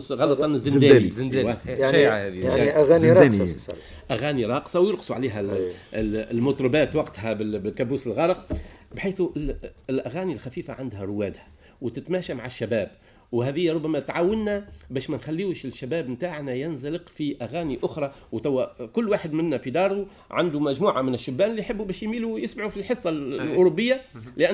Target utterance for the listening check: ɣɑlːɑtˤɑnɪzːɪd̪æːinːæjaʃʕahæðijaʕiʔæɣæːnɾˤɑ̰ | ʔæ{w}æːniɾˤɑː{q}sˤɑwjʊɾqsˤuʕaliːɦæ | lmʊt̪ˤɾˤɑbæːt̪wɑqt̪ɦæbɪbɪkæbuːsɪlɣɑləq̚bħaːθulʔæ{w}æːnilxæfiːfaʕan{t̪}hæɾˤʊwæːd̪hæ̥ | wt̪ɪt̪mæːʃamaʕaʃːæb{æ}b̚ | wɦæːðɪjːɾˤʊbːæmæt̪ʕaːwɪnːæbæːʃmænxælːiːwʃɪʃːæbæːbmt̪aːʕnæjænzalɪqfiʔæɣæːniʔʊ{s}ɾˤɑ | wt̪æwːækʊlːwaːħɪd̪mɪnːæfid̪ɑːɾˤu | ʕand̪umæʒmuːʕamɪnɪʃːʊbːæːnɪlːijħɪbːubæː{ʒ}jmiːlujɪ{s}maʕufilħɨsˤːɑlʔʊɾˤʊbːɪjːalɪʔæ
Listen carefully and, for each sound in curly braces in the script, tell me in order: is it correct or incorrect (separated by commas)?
incorrect, correct, incorrect, incorrect, incorrect, incorrect, incorrect, correct